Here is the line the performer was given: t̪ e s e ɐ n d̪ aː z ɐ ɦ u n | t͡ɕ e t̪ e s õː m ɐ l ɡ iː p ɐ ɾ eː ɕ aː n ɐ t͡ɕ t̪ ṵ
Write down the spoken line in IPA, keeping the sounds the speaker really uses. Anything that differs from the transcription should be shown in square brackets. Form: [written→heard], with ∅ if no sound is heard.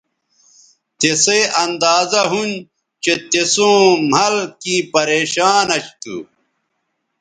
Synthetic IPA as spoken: t̪ e s e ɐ n d̪ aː z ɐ ɦ u n | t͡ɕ e t̪ e s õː m ɐ l [ɡ→k] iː p ɐ ɾ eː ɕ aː n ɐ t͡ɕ t̪ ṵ